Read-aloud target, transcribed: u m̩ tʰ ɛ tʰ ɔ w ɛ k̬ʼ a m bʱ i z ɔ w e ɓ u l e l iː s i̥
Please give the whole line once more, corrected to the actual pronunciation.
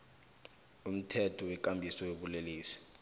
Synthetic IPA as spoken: u m̩ tʰ ɛ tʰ ɔ w ɛ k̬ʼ a m bʱ i s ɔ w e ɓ u l e l iː s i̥